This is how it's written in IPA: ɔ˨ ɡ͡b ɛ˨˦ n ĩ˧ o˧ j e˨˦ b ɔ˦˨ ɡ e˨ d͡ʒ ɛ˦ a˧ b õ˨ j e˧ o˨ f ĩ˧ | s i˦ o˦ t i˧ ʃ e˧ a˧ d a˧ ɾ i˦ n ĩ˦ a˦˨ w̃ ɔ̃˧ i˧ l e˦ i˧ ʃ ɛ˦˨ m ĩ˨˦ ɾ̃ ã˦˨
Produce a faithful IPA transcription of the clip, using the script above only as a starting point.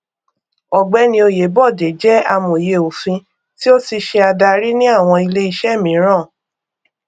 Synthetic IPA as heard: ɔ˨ ɡ͡b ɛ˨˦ n ĩ˧ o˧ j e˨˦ b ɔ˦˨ d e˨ d͡ʒ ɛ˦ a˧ m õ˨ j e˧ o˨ f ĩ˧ | t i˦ o˦ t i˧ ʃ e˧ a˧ d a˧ ɾ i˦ n ĩ˦ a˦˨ w̃ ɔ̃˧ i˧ l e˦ i˧ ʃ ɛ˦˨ m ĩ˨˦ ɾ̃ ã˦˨